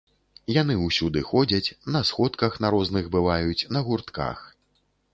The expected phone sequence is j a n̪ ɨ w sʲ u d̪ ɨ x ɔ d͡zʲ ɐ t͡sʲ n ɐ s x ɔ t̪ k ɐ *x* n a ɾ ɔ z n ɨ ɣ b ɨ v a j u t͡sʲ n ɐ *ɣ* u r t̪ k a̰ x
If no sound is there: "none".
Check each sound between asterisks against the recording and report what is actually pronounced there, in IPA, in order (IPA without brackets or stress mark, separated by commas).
x, ɣ